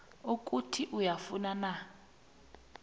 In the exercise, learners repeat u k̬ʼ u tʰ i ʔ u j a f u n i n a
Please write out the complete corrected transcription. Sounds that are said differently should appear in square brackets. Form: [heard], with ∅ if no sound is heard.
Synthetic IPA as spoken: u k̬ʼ u tʰ i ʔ u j a f u n [a] n a

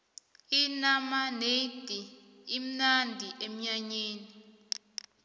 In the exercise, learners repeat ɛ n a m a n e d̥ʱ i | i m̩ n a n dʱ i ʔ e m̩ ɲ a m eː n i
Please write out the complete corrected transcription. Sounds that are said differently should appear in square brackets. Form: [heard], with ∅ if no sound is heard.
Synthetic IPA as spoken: [i] n a m a n e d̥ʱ i | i m̩ n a n dʱ i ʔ e m̩ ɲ a [ɲ] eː n i

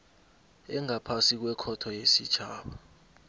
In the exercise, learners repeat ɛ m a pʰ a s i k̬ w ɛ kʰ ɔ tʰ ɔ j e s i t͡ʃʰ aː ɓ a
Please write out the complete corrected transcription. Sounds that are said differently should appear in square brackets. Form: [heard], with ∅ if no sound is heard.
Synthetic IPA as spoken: ɛ [ŋ] a pʰ a s i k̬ w ɛ kʰ ɔ tʰ ɔ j e s i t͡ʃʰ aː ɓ a

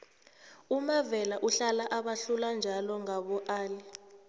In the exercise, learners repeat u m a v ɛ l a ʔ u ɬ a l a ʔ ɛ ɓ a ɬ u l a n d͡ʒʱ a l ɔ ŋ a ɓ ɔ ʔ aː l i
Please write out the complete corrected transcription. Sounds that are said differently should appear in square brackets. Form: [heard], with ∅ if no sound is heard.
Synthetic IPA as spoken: u m a v ɛ l a ʔ u ɬ a l a ʔ [a] ɓ a ɬ u l a n d͡ʒʱ a l ɔ ŋ a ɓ ɔ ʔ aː l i

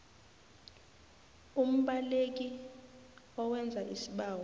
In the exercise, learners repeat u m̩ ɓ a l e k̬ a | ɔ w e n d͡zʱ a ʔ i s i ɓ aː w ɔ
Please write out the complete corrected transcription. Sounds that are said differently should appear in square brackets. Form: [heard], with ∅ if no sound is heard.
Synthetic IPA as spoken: u m̩ ɓ a l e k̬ [i] | ɔ w [ɛ] n d͡zʱ a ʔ i s i ɓ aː w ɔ

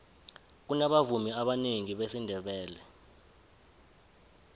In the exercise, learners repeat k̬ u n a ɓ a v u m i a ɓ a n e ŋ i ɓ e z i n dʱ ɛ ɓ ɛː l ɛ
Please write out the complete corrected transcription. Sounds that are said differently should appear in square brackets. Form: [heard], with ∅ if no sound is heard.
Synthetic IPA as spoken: k̬ u n a ɓ a v u m i a ɓ a n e ŋ i ɓ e [s] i n dʱ ɛ ɓ ɛː l ɛ

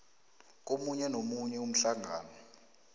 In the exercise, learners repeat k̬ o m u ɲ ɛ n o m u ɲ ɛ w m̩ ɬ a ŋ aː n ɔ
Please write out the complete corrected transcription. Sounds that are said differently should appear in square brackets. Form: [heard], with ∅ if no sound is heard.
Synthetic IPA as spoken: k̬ o m u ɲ ɛ n o m u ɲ ɛ [u] m̩ ɬ a ŋ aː n ɔ

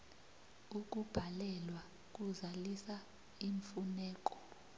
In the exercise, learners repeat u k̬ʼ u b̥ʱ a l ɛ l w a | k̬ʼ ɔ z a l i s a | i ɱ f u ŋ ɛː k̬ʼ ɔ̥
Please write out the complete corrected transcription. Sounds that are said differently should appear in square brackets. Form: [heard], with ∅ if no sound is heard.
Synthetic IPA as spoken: u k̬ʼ u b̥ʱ a l ɛ l w a | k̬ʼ [u] z a l i s a | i ɱ f u [n] ɛː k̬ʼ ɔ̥

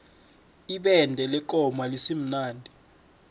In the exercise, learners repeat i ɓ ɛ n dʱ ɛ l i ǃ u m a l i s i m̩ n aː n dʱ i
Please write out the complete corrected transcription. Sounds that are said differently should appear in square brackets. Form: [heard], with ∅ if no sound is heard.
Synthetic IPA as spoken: i ɓ ɛ n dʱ ɛ l [ɛ] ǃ [ɔ] m a l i s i m̩ n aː n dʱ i

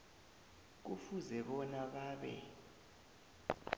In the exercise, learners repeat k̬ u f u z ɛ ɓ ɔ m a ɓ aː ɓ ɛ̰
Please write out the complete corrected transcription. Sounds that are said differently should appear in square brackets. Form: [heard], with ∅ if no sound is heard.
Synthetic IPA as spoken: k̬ u f u z ɛ ɓ ɔ [n] a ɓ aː ɓ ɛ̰

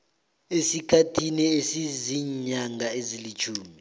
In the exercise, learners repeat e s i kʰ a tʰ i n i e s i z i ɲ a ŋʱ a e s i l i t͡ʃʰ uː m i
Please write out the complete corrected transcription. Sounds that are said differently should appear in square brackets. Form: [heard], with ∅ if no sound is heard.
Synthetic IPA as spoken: e s i kʰ a tʰ i n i e s i z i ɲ a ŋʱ a e [z] i l i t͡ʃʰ uː m i

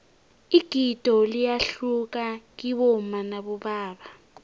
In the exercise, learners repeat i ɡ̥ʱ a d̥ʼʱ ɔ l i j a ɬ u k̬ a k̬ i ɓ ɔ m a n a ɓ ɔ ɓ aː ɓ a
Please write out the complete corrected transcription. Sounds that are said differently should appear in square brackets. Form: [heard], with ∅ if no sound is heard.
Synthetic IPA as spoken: i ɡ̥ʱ [i] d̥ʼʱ ɔ l i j a ɬ u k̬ a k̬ i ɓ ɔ m a n a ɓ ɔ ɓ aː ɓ a

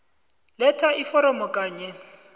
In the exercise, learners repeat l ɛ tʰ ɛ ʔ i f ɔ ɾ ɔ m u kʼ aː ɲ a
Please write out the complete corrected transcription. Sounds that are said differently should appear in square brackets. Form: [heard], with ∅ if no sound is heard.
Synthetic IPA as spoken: l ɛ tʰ [a] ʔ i f ɔ ɾ ɔ m [ɔ] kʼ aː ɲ [ɛ]

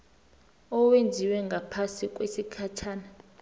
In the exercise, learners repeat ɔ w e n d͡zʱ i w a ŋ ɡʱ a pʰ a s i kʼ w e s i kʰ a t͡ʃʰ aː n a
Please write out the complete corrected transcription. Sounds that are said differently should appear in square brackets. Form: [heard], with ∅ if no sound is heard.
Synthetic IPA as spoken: ɔ w e n d͡zʱ i w [ɛ] ŋ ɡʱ a pʰ a s i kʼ w e s i kʰ a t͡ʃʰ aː n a

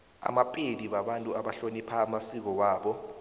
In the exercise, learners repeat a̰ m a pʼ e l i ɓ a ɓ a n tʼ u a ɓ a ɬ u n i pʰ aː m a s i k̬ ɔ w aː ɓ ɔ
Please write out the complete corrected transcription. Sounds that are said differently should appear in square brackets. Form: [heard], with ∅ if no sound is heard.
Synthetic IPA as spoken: a̰ m a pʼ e l i ɓ a ɓ a n tʼ u a ɓ a ɬ [o] n i pʰ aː m a s i k̬ ɔ w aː ɓ ɔ

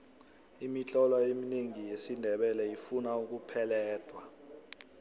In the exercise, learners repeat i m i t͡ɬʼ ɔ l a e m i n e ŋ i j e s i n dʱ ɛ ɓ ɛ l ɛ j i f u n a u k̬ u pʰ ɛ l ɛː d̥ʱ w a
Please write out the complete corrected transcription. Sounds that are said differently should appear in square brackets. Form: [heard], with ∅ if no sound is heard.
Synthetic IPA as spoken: i m i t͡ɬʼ ɔ l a e m i n e ŋ i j e s i n dʱ ɛ ɓ ɛ l ɛ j i f u n a u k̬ u pʰ ɛ l ɛː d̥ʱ w a

